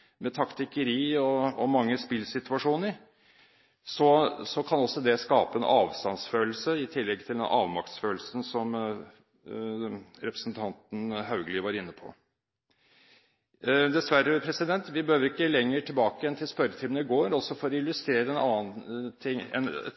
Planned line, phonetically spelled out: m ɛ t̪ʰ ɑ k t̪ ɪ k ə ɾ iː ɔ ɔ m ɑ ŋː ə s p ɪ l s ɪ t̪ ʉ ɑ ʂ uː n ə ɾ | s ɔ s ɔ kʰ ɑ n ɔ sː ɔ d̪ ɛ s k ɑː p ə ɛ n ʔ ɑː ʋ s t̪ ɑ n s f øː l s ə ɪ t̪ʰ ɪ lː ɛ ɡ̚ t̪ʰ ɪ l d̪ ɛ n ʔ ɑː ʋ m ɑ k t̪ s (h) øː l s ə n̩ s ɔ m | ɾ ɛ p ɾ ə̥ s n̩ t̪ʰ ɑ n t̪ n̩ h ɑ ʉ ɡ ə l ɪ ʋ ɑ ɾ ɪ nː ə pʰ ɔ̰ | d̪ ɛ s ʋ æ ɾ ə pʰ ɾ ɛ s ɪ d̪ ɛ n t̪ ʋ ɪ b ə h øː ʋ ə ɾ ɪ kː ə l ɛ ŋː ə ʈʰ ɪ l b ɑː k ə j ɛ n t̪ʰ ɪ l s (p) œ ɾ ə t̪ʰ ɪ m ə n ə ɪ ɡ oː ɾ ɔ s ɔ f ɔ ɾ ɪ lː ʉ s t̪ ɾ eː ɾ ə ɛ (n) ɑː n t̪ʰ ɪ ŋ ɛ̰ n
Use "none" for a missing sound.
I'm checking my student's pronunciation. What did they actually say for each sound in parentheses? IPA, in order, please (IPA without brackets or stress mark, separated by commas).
f, p, n